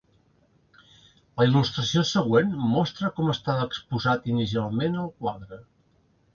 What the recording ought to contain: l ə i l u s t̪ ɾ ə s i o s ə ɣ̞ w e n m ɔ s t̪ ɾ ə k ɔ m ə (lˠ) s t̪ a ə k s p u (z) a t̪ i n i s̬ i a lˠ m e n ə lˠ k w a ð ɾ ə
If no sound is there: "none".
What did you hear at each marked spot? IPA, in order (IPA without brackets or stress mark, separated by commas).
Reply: none, z